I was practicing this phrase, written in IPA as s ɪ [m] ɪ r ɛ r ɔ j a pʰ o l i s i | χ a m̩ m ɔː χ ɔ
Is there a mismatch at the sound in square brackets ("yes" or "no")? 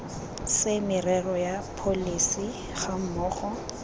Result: no